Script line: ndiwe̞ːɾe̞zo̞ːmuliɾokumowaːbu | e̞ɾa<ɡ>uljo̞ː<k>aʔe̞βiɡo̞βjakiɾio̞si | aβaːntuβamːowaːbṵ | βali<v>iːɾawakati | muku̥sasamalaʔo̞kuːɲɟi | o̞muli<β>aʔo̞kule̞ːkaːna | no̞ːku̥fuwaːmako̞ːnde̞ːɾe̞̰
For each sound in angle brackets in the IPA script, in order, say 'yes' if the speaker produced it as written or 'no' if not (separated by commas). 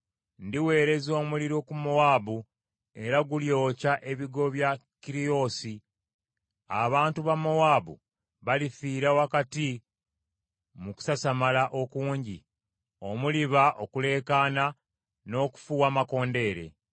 yes, no, no, yes